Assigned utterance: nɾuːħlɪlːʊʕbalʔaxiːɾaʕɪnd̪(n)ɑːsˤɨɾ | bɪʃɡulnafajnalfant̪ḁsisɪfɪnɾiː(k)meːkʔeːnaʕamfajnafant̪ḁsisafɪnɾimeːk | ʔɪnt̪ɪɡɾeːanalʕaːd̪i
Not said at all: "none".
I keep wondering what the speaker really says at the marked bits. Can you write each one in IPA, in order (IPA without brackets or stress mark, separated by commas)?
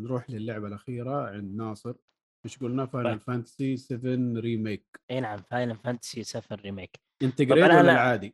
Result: n, none